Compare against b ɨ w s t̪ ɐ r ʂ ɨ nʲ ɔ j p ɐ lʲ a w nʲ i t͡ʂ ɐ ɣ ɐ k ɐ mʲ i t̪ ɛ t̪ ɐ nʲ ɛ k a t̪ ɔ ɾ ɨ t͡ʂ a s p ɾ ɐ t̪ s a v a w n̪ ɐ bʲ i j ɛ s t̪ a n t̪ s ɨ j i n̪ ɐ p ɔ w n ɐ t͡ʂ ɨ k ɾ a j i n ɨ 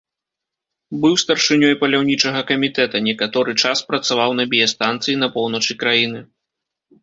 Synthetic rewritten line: b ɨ w s t̪ ɐ r ʂ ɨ nʲ ɔ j p ɐ lʲ a w nʲ i t͡ʂ ɐ ɣ ɐ k ɐ mʲ i t̪ ɛ t̪ ɐ nʲ ɛ k a t̪ ɔ ɾ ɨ t͡ʂ a s p ɾ ɐ t̪ s a v a w n̪ ɐ bʲ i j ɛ s t̪ a n t̪ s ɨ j i n̪ ɐ p ɔ w n ɐ t͡ʂ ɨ k ɾ a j i n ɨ